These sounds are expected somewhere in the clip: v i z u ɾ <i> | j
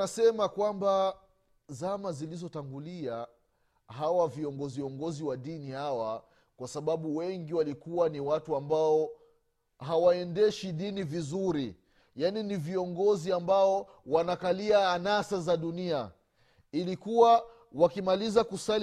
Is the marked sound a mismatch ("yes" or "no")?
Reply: no